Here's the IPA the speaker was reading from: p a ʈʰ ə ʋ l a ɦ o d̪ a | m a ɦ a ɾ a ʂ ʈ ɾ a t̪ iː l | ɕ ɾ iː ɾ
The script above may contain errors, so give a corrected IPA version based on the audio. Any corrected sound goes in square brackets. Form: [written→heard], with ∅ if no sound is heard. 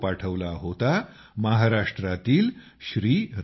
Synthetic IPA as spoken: p a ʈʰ ə ʋ l a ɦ o [d̪→t̪] a | m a ɦ a ɾ a ʂ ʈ ɾ a t̪ iː l | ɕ ɾ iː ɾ

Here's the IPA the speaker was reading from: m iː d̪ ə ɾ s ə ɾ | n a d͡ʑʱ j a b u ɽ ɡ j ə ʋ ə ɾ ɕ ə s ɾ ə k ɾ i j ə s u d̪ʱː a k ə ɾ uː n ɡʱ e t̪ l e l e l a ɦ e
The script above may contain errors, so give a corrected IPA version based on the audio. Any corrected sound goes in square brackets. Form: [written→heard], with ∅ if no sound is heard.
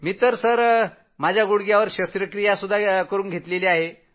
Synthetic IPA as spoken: m iː [d̪→t̪] ə ɾ s ə ɾ | [n→m] a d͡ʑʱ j a [b→ɡ] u ɽ ɡ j [ə→a] ʋ ə ɾ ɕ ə s ɾ ə k ɾ i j [ə→a] s u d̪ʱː a k ə ɾ uː n ɡʱ e t̪ l e l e [l→∅] a ɦ e

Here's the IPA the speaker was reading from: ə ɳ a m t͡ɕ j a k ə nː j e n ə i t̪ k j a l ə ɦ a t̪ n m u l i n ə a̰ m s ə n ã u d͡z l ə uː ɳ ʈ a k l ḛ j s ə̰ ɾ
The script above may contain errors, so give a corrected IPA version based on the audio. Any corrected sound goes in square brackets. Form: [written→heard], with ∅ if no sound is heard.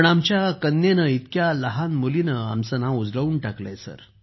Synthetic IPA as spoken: ə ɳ a m t͡ɕ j a k ə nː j e n ə i t̪ k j a l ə ɦ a [t̪→∅] n m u l i n ə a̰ m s ə n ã u d͡z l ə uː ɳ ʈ a k l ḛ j s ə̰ ɾ

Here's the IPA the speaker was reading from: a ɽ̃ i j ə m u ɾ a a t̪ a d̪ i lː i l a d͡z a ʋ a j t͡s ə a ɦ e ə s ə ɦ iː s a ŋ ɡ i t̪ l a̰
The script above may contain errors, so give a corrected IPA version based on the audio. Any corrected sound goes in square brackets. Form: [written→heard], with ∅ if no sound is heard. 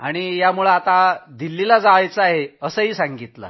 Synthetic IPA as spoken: a ɽ̃ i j [ə→a] m u [ɾ→ɭ] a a t̪ a d̪ i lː i l a d͡z a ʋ a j t͡s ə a ɦ e ə s ə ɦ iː s a ŋ ɡ i t̪ l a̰

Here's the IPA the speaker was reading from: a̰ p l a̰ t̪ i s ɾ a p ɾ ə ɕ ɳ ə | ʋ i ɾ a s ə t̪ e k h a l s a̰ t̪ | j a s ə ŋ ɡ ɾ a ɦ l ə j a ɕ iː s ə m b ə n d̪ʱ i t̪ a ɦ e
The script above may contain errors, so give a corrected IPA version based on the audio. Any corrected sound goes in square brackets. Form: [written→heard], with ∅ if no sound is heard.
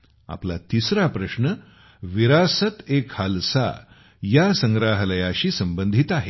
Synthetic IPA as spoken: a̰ p l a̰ t̪ i s ɾ a p ɾ ə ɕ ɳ ə | ʋ i ɾ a s ə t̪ e k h a l s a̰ [t̪→∅] | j a s ə ŋ ɡ ɾ a ɦ l ə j a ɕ iː s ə m b ə n d̪ʱ i t̪ a ɦ e

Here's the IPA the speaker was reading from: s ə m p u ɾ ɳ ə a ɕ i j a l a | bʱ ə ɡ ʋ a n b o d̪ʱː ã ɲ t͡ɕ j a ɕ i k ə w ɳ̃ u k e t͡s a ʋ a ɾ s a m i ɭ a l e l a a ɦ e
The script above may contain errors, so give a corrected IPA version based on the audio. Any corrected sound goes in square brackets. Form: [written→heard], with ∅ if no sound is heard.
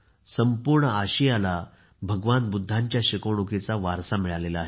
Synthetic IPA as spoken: s ə m p u ɾ ɳ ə a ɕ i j a l a | bʱ ə ɡ ʋ a n b [o→u] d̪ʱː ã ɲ t͡ɕ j a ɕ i k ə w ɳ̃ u k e t͡s a ʋ a ɾ s a m i ɭ a l e l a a ɦ e

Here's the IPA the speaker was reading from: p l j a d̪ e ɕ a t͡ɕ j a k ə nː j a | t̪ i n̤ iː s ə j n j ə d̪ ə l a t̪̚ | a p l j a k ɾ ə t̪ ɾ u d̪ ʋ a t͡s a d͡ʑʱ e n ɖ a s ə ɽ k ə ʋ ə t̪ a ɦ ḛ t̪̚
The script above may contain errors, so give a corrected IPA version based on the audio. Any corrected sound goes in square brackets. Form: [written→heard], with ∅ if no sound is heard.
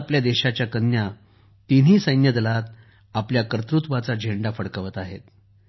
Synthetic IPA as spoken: p l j a d̪ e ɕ a t͡ɕ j a k ə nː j a | t̪ i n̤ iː s ə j n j ə d̪ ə l a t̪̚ | a p l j a k ɾ ə t̪ ɾ u [d̪→t̪] ʋ a t͡s a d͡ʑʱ e [n→ɳ] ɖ a [s→f] ə ɽ k ə ʋ ə t̪ a ɦ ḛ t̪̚

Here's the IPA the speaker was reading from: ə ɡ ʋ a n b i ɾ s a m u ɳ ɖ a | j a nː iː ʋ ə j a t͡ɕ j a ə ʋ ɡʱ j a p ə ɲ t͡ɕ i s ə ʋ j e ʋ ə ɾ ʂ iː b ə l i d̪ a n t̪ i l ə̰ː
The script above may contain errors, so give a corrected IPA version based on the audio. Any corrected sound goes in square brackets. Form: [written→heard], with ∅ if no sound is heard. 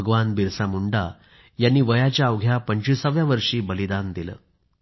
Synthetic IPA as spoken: ə ɡ ʋ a n b i ɾ s a m u ɳ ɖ a | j a nː iː ʋ ə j a t͡ɕ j a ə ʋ ɡʱ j a p ə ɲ t͡ɕ i s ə ʋ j [e→a] ʋ ə ɾ ʂ iː b ə l i d̪ a n [t̪→d̪] i l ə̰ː

